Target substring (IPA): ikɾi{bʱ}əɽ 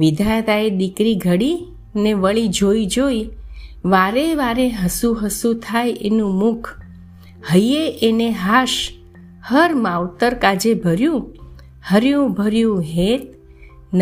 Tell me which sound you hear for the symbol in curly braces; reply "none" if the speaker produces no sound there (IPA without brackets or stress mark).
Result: ɡʱ